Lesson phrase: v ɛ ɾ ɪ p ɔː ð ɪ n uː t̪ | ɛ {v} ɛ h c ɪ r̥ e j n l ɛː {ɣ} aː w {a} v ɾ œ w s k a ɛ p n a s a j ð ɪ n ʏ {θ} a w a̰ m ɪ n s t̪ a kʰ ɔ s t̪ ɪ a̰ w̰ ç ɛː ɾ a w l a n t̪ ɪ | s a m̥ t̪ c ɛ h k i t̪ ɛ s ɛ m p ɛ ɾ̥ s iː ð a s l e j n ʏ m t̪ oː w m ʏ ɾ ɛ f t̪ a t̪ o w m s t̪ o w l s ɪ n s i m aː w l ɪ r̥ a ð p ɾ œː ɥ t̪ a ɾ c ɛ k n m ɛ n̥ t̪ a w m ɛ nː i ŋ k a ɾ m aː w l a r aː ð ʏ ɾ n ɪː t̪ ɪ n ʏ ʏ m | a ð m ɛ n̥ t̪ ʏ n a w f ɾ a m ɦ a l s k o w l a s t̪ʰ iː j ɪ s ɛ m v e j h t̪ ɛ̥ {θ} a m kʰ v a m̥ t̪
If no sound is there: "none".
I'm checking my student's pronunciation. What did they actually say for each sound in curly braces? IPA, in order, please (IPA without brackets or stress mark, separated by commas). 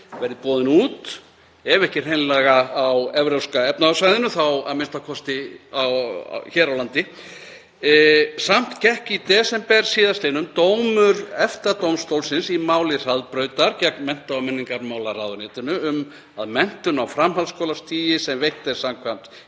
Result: v, ɣ, ɛ, θ, s